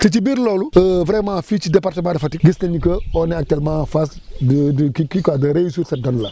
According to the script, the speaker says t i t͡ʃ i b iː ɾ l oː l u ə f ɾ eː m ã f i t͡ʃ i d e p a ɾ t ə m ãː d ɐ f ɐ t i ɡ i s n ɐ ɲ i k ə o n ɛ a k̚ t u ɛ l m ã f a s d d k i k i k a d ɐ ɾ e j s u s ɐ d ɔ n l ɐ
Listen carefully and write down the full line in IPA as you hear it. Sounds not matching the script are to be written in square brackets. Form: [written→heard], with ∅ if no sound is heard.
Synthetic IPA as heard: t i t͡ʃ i b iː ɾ l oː l u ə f ɾ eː m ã f i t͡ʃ i d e p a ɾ t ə m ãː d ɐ f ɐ t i ɡ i s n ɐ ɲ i k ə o n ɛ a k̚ t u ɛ l m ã f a s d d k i k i k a d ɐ ɾ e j s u s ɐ d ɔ n l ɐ